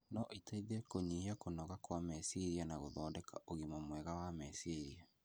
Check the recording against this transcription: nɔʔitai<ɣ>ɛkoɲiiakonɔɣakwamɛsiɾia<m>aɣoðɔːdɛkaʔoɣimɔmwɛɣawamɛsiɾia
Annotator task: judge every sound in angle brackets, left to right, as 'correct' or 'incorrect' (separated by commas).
incorrect, incorrect